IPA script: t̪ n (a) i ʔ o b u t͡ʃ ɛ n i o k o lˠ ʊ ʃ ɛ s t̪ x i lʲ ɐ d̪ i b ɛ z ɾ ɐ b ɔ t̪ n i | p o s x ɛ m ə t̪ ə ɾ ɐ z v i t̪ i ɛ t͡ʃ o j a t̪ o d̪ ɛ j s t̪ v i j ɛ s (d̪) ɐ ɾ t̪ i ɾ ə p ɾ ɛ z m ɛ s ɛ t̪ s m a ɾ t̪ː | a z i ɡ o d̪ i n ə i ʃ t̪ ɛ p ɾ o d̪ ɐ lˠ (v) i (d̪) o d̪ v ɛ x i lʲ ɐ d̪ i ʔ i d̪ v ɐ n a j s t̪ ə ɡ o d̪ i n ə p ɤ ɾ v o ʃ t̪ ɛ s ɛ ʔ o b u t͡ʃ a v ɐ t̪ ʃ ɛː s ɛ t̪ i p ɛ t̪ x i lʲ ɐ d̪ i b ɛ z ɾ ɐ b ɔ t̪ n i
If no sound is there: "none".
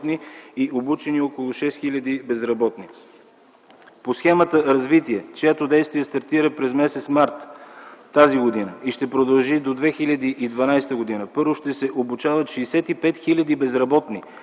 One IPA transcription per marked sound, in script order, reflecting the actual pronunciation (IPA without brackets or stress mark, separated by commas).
i, t̪, ʒ, d̪